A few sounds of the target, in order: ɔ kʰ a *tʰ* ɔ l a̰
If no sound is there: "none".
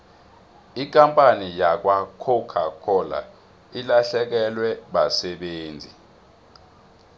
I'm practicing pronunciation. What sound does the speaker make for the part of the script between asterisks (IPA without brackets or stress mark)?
kʰ